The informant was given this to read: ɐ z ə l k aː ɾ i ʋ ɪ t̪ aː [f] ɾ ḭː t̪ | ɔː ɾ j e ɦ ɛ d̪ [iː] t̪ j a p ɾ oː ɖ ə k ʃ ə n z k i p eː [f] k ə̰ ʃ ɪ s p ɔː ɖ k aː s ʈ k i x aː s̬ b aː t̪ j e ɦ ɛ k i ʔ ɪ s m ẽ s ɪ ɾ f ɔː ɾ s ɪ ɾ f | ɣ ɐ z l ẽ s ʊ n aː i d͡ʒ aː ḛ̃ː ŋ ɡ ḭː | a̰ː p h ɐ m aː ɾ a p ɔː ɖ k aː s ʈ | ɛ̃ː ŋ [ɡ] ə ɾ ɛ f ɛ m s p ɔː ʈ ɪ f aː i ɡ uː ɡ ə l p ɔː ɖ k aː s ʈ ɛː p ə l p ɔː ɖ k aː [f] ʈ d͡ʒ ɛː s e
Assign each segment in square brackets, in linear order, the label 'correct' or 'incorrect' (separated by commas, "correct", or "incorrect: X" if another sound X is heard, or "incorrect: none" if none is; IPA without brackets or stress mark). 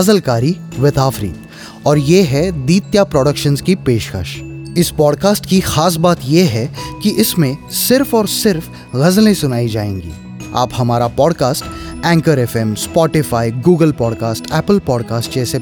correct, correct, incorrect: ʃ, incorrect: k, incorrect: s